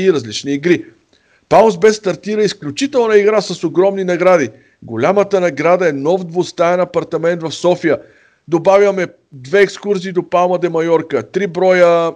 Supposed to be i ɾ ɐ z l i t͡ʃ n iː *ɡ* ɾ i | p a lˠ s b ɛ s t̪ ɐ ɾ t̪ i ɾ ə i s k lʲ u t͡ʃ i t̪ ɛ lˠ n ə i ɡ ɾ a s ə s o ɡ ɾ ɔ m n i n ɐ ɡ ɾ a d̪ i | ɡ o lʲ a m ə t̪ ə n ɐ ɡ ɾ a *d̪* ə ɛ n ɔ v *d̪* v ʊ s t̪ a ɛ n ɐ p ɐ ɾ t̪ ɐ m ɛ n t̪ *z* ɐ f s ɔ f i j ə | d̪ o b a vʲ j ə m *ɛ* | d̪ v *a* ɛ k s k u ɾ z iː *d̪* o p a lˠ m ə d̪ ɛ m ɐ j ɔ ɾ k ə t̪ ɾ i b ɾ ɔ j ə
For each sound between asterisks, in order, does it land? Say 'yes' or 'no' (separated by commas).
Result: yes, yes, yes, no, yes, no, yes